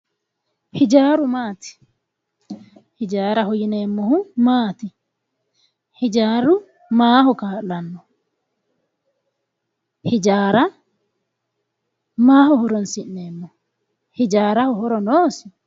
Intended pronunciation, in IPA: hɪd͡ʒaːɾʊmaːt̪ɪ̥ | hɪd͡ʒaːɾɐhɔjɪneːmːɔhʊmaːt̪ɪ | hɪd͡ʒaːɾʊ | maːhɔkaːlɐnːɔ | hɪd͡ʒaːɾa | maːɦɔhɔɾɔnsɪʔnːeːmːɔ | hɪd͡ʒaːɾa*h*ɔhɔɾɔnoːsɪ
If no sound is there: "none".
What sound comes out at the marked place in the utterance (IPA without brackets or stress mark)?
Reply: h